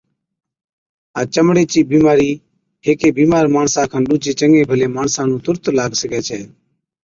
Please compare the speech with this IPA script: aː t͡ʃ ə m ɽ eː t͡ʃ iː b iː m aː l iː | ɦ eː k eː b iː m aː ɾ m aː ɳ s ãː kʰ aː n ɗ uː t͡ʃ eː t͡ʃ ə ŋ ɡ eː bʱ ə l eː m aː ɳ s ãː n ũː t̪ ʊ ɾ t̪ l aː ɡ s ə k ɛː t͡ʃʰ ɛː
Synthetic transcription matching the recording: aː t͡ʃ ə m ɽ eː t͡ʃ iː b iː m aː ɾ iː | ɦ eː k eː b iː m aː ɾ m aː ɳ s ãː kʰ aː n ɗ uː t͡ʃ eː t͡ʃ ə ŋ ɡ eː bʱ ə l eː m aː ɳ s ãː n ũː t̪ ʊ ɾ t̪ l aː ɡ s ə k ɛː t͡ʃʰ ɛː